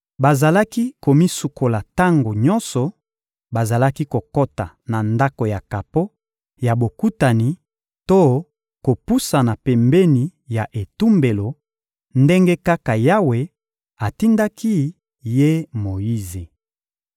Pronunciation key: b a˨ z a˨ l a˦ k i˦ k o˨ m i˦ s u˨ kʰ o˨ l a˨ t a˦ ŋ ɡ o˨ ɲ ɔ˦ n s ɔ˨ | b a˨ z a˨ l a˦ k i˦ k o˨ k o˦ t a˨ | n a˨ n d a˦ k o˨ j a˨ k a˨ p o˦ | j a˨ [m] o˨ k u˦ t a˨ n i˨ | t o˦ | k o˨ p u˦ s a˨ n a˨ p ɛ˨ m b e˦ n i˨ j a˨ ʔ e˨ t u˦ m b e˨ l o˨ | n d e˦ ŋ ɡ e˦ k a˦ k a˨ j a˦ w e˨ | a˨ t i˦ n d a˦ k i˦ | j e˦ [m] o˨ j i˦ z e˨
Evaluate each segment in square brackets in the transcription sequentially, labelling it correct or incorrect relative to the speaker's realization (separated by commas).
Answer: incorrect, correct